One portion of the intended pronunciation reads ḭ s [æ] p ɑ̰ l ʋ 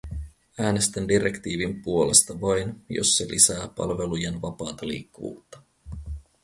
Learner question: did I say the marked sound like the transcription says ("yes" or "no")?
no